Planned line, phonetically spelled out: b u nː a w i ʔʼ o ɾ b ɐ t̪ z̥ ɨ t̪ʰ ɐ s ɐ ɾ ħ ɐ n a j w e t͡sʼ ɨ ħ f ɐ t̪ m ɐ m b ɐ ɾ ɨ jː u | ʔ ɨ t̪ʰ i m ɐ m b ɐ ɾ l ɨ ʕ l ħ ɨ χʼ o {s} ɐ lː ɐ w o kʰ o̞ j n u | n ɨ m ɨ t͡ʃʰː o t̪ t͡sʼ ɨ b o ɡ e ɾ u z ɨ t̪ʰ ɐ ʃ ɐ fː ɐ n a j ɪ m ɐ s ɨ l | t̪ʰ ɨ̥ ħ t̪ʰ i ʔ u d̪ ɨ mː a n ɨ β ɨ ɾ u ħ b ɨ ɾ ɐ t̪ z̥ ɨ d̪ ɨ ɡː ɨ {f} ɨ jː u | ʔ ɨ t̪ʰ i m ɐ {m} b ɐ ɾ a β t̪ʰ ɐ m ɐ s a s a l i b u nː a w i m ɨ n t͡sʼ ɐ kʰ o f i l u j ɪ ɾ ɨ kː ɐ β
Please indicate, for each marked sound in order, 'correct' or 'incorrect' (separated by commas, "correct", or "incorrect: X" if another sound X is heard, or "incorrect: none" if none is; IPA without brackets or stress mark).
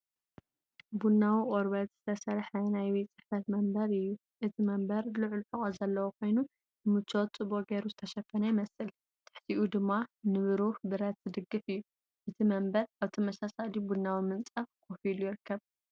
incorrect: z, correct, correct